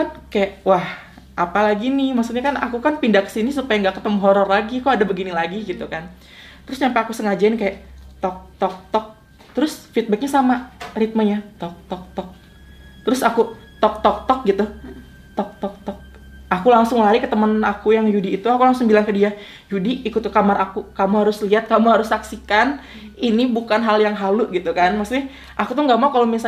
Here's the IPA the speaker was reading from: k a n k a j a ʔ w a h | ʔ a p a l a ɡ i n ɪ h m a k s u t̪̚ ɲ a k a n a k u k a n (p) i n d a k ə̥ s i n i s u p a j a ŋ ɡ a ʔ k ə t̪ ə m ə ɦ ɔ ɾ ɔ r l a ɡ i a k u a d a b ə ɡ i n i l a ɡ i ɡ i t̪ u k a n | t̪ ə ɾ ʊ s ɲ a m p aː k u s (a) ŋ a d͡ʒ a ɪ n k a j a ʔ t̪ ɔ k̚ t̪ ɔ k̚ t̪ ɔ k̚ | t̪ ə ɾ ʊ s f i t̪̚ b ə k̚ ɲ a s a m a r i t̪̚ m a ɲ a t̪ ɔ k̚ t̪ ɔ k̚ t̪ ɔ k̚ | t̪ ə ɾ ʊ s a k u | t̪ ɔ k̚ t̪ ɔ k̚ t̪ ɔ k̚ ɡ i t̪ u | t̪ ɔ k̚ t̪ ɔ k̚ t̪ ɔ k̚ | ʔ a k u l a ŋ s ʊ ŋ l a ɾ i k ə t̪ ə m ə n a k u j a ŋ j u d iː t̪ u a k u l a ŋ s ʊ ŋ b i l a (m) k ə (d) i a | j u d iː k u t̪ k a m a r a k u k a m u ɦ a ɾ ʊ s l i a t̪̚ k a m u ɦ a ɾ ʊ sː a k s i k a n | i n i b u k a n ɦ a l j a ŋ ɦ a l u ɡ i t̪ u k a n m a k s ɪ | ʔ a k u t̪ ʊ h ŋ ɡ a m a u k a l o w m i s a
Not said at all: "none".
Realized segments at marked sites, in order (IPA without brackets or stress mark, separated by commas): p, ə, ŋ, d